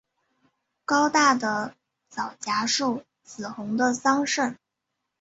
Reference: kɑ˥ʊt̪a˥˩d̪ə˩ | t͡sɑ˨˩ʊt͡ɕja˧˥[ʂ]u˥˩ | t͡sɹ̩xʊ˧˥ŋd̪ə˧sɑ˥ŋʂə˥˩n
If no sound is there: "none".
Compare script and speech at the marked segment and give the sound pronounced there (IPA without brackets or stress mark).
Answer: ʂ